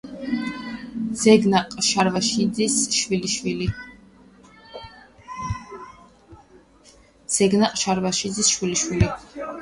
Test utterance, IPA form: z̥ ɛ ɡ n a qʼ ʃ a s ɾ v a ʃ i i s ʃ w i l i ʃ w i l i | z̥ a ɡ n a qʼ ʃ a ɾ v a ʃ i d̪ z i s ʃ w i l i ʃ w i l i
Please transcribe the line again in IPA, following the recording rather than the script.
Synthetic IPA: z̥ ɛ ɡ n a qʼ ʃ a ɾ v a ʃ i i s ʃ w i l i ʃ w i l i | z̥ ɛ ɡ n a qʼ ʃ a ɾ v a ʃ i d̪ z i s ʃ w i l i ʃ w i l i